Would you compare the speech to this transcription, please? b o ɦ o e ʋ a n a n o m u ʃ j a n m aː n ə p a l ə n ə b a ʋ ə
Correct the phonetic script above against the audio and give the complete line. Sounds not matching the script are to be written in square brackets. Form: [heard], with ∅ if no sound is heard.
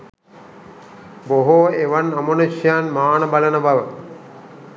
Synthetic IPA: b o ɦ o e ʋ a n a [m] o [n] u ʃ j a n m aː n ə [b] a l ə n ə b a ʋ ə